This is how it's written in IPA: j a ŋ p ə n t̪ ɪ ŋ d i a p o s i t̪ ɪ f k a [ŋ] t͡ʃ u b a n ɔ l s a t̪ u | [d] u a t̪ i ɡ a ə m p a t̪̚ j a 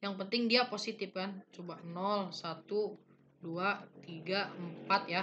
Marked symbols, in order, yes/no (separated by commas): no, yes